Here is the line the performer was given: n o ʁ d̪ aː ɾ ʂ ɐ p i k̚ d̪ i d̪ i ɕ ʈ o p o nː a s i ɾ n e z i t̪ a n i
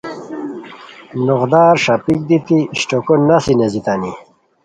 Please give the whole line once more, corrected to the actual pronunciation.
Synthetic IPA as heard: n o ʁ d̪ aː ɾ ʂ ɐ p i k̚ d̪ i t̪ i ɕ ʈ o k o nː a s i n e z i t̪ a n i